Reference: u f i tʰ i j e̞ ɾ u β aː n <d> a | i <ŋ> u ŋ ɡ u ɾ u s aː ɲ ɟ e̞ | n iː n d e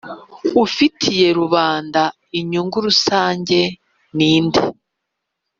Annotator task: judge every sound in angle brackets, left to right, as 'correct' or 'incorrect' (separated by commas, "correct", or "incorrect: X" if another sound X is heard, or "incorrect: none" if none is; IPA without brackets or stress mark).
correct, incorrect: ɲ